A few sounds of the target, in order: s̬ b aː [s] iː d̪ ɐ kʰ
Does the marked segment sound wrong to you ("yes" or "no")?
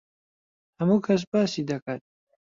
no